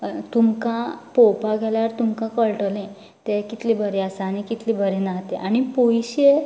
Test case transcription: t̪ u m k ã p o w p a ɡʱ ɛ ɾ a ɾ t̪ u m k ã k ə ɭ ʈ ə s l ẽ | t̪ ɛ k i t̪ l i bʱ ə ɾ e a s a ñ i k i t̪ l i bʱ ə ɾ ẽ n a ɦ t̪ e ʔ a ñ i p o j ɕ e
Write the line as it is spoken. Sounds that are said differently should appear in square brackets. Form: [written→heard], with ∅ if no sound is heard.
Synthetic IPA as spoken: t̪ u m k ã p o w p a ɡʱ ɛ [ɾ→l] a ɾ t̪ u m k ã k ə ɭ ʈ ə [s→∅] l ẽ | t̪ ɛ k i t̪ l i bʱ ə ɾ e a s a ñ i k i t̪ l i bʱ ə ɾ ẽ n a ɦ t̪ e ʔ a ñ i p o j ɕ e